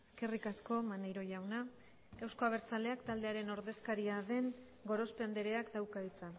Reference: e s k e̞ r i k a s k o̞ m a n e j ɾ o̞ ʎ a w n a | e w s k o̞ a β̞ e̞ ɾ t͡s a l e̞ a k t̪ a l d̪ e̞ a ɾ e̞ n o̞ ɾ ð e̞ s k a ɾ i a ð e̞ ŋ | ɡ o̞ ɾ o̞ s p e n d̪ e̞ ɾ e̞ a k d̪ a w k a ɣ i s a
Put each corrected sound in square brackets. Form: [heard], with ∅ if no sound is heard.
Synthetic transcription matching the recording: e s k e̞ r i k a s k o̞ m a n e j ɾ o̞ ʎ a w n a | e w s k o̞ a β̞ e̞ ɾ t͡s a l e̞ a k t̪ a l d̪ e̞ a ɾ e̞ n o̞ ɾ ð e̞ s k a ɾ i a ð e̞ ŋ | ɡ o̞ ɾ o̞ s p e n d̪ e̞ ɾ e̞ a k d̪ a w k a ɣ i [t͡s] a